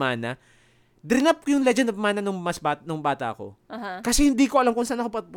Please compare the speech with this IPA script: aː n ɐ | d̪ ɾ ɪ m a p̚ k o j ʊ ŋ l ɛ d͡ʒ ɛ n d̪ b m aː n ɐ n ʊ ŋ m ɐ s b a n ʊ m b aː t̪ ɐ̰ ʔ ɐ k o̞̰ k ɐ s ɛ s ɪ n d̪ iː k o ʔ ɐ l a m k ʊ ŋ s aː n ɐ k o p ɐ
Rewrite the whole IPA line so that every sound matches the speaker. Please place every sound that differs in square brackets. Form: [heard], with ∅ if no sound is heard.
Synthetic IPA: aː n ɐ | d̪ ɾ ɪ [n] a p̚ k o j ʊ ŋ l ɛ d͡ʒ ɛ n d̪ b m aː n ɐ n ʊ ŋ m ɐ s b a n ʊ [ŋ] b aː t̪ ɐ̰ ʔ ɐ k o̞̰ k ɐ s ɛ [h] ɪ n d̪ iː k o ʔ ɐ l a m k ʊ ŋ s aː n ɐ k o p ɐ